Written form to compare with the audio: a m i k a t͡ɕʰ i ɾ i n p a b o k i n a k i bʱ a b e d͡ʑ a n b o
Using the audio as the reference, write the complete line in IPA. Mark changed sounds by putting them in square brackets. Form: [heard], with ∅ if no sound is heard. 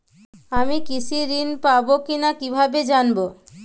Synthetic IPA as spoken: a m i k [i] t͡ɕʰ i ɾ i n p a b o k i n a k i bʱ a b e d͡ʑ a n b o